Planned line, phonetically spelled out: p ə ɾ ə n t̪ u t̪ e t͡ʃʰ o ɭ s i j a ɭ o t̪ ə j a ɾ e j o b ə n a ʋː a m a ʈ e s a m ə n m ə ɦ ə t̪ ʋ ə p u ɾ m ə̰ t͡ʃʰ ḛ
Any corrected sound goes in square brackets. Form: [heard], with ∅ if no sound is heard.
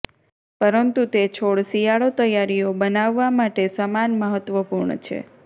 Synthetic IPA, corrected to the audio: p ə ɾ ə n t̪ u t̪ e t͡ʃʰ o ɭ s i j a ɭ o t̪ ə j a ɾ [i] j o b ə n a ʋː a m a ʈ e s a m [a] n m ə ɦ ə t̪ ʋ ə p u ɾ [ɳ] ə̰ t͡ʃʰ ḛ